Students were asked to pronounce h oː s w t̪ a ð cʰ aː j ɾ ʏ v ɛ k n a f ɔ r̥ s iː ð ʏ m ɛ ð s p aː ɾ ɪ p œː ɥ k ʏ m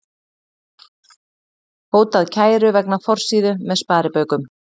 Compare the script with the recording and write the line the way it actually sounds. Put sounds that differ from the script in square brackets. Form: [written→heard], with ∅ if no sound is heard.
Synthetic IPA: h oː [s→∅] w t̪ a ð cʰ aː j ɾ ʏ v ɛ k n a f ɔ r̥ s iː ð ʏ m ɛ ð s p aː ɾ ɪ p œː ɥ k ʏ m